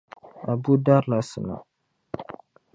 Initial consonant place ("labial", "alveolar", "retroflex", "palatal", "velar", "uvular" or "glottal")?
labial